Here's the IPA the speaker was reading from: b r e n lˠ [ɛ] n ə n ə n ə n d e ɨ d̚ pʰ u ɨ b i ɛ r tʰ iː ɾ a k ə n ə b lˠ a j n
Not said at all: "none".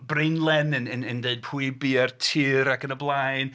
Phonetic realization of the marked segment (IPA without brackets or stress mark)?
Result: ɛ